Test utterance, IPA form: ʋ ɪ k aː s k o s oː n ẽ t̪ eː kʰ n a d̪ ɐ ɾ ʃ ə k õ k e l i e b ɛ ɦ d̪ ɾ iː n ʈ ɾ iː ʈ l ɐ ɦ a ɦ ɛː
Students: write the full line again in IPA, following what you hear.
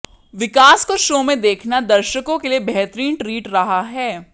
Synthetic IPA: ʋ ɪ k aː s k o ʃ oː m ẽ d̪ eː kʰ n a d̪ ɐ ɾ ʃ ə k õ k e l i e b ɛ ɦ t̪ ɾ iː n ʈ ɾ iː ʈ ɾ ɐ ɦ a ɦ ɛː